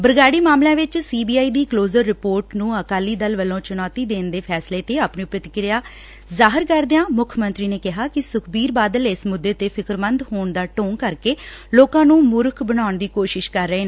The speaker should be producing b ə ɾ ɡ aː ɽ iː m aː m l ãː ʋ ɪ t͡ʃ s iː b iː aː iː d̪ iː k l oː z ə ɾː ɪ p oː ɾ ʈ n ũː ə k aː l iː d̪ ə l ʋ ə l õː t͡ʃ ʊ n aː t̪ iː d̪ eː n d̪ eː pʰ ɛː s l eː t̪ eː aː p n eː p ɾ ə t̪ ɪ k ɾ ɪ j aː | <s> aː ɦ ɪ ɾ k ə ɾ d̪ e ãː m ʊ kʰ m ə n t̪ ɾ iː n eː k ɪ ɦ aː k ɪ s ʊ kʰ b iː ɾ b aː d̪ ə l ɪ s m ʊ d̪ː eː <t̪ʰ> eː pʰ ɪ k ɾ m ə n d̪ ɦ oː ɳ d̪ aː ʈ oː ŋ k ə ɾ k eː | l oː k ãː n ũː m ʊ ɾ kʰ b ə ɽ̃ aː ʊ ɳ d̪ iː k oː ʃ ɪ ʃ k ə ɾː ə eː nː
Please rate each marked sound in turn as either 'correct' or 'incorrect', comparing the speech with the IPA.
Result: incorrect, incorrect

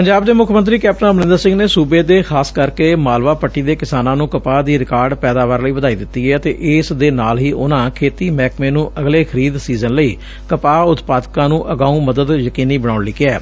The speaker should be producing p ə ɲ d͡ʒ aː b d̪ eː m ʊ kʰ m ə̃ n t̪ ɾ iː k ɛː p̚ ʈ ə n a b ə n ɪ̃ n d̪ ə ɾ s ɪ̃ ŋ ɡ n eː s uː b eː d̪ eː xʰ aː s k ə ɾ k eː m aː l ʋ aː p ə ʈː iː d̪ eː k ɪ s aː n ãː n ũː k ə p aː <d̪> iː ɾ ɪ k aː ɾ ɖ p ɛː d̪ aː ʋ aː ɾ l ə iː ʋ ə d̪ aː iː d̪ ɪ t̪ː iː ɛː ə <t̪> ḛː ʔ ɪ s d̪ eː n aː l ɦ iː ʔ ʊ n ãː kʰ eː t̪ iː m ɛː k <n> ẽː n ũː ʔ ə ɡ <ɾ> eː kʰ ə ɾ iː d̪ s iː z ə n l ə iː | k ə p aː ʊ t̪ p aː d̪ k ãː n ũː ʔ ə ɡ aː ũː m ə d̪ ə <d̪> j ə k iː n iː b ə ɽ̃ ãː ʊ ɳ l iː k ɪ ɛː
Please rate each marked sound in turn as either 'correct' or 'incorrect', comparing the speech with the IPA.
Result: correct, correct, incorrect, incorrect, correct

